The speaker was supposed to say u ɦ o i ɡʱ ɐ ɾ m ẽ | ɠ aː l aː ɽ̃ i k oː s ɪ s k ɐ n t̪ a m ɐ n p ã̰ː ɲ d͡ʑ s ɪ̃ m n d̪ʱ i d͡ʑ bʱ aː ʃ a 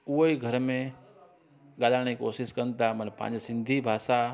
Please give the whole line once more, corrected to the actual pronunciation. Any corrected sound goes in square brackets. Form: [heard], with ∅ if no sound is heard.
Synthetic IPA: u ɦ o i ɡʱ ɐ ɾ m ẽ | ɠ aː l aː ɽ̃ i k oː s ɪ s k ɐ n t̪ a m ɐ n p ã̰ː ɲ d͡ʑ s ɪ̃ [∅] n d̪ʱ i [∅] bʱ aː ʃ a